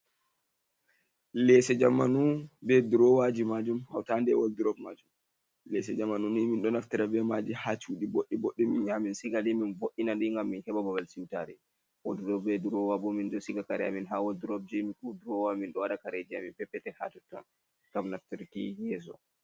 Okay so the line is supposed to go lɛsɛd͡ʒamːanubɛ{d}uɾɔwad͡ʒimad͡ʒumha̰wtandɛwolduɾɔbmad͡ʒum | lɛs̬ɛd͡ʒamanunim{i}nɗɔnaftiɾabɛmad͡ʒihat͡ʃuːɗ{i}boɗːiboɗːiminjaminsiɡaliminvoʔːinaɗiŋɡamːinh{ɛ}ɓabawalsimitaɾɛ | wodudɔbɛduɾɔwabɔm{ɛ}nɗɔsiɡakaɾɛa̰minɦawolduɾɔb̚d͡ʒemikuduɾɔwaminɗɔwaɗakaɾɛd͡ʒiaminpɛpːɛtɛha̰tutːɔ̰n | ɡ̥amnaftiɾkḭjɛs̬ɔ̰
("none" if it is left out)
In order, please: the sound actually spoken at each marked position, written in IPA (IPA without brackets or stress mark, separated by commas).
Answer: d, i, i, ɛ, i